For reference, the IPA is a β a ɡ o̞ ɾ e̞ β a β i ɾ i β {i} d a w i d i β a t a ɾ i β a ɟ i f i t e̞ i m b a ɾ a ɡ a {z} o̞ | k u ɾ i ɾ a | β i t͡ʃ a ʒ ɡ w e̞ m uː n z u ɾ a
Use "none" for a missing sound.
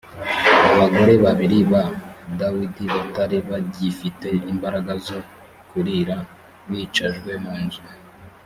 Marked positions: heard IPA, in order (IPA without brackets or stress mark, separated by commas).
a, z